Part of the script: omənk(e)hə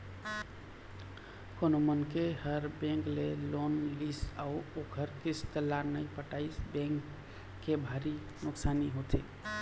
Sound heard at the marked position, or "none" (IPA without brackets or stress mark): e